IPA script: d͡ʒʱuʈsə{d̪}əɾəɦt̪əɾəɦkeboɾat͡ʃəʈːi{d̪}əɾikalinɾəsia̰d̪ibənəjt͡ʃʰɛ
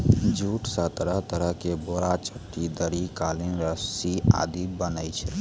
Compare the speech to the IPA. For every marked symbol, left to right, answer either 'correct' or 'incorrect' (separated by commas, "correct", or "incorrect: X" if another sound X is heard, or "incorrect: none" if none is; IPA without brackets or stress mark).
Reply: incorrect: t̪, correct